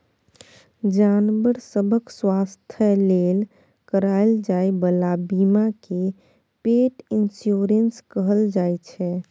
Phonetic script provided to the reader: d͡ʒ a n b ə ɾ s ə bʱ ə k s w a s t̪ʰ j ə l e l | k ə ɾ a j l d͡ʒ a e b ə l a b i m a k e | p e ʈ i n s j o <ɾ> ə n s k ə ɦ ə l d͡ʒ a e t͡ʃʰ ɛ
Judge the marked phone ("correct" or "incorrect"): correct